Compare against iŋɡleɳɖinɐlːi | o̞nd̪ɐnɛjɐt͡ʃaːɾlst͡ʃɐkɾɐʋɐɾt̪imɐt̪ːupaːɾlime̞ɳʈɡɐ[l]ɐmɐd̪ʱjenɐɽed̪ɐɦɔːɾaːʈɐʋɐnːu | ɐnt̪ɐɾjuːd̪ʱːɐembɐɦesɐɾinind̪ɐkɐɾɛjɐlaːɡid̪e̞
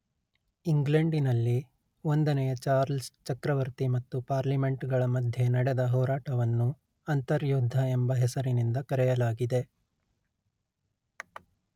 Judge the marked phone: incorrect: ɭ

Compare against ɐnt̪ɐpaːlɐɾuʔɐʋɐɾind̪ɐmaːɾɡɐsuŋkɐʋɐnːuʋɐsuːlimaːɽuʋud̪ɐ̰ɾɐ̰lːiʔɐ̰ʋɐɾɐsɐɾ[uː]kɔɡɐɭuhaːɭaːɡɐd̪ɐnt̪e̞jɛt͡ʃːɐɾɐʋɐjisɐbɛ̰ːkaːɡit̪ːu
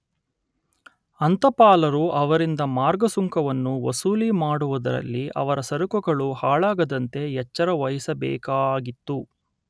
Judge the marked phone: incorrect: u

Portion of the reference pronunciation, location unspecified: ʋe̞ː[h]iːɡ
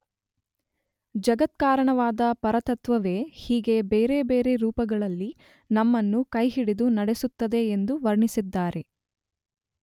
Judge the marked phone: correct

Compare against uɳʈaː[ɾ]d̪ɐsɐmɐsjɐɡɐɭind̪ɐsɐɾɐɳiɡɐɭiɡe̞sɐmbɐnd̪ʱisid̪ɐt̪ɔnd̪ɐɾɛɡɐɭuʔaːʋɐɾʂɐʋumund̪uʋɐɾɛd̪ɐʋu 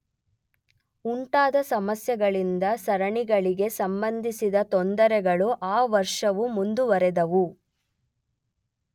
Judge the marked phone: incorrect: none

